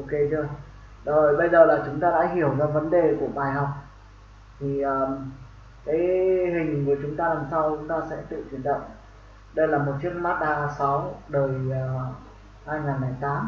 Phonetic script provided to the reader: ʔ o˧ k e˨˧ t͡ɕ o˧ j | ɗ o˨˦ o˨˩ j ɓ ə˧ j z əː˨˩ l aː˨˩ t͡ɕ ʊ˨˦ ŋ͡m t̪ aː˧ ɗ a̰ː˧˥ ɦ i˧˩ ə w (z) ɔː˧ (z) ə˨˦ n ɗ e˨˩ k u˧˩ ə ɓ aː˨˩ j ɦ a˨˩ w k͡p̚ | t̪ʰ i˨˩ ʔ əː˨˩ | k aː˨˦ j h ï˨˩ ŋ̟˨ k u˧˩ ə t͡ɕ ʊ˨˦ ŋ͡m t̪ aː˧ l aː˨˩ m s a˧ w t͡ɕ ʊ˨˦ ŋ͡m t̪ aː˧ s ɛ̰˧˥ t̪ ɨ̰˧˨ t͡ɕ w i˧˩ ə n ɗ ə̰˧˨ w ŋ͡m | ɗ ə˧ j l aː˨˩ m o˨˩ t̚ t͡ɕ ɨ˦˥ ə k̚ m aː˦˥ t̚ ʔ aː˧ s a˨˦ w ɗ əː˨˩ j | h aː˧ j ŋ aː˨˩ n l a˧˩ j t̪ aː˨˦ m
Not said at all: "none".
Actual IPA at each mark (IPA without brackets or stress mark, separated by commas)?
z, v